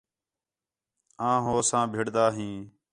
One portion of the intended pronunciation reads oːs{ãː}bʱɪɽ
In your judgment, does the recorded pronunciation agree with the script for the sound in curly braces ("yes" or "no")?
yes